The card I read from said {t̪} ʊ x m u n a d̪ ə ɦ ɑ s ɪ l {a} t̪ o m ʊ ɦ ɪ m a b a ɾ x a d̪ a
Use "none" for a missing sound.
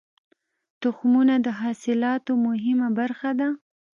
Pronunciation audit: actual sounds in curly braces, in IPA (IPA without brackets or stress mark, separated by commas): t̪, ɑ